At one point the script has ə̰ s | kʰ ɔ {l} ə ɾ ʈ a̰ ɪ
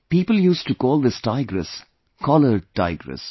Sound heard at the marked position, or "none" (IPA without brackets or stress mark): l